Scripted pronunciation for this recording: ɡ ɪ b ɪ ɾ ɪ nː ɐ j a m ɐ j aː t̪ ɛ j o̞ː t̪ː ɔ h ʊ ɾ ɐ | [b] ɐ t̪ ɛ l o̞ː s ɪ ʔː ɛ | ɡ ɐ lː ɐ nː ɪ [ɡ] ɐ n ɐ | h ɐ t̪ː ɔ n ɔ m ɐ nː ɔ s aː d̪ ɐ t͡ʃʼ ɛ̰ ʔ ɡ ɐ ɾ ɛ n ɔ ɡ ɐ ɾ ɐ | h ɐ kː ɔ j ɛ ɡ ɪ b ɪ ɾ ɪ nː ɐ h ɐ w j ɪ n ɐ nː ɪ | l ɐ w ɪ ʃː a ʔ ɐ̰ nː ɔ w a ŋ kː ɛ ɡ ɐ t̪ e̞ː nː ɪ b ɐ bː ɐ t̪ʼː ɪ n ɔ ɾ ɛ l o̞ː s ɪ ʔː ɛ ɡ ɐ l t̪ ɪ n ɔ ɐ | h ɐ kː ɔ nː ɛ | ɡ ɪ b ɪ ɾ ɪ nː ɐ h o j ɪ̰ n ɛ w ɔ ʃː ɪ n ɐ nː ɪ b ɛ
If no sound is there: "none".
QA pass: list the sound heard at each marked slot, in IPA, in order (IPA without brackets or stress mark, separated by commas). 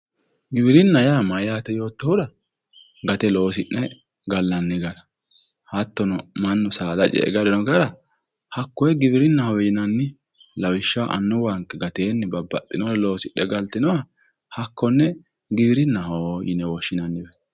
ɡ, ɡ